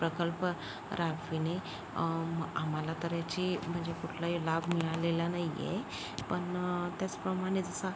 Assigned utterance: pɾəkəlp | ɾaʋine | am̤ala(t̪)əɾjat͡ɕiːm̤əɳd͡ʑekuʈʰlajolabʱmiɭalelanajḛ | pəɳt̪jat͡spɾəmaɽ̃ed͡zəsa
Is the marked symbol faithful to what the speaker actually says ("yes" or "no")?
yes